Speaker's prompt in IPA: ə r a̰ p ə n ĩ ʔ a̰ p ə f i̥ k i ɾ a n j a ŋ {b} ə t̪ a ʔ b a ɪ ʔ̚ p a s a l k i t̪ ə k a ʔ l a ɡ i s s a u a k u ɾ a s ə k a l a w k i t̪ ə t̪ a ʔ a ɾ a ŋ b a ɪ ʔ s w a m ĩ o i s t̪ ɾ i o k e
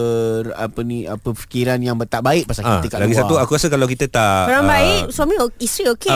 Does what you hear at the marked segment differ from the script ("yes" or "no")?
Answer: no